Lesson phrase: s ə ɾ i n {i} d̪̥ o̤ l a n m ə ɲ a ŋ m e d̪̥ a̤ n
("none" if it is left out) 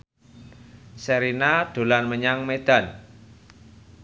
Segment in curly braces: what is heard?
a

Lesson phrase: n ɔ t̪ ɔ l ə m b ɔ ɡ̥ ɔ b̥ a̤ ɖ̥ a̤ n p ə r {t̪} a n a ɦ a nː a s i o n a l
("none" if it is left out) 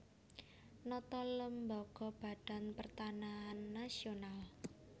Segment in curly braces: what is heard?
t̪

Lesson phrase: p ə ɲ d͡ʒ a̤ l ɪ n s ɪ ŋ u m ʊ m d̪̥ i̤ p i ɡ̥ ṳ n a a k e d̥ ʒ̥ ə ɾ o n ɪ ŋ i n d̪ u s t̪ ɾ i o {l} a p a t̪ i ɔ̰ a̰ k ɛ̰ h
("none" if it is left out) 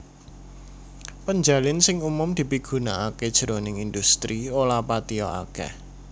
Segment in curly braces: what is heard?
l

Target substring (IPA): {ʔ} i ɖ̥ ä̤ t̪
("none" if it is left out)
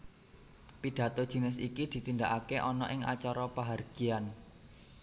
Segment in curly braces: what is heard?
p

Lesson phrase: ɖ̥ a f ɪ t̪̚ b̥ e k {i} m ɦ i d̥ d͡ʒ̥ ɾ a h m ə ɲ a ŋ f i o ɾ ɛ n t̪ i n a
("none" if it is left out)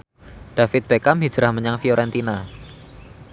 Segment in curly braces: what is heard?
a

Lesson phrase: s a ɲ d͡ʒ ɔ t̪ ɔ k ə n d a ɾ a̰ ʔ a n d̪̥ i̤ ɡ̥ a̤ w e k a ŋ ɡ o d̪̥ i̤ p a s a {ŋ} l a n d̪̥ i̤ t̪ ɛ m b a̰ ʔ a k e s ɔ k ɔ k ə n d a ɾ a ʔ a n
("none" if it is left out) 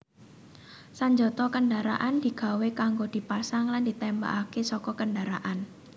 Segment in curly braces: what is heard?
ŋ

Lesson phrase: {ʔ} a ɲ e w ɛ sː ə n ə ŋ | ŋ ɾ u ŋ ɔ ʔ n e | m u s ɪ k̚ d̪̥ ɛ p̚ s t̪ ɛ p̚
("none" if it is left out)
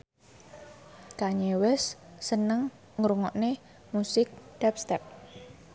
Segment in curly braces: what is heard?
k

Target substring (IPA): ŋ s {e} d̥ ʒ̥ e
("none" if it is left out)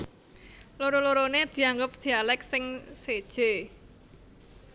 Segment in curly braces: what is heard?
e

